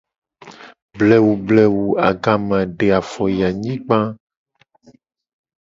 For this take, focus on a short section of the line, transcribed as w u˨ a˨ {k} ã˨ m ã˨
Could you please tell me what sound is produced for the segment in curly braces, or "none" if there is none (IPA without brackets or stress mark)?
ɡ